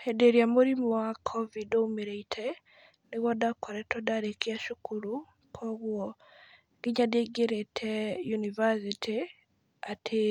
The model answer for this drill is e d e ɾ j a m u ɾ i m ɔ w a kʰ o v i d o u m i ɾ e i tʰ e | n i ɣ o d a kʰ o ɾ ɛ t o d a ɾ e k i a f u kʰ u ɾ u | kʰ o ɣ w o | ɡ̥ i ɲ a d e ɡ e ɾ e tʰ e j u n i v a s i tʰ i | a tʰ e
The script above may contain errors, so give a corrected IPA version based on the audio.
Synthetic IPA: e d e ɾ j a m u ɾ i m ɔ w a kʰ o v i d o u m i ɾ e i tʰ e | n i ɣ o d a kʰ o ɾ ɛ t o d a ɾ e k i a ʃ u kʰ u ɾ u | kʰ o ɣ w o | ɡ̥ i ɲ a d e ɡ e ɾ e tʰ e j u n i v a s i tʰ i | a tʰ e